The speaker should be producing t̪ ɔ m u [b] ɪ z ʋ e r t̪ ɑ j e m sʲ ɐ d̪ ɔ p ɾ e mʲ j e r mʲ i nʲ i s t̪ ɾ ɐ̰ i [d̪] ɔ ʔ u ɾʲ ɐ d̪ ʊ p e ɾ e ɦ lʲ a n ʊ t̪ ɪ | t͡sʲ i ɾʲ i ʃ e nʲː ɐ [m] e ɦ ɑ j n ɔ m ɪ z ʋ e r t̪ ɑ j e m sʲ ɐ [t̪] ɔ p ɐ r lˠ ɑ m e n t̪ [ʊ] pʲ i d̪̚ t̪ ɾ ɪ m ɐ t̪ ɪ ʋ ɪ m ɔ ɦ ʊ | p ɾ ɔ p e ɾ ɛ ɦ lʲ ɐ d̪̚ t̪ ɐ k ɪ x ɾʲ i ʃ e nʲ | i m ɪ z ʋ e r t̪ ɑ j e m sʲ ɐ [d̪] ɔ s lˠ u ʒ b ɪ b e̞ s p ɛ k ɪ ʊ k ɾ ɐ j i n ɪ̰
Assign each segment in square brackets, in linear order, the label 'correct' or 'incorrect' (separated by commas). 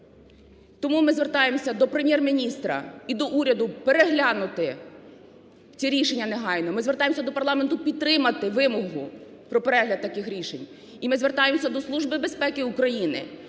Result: incorrect, correct, incorrect, incorrect, correct, correct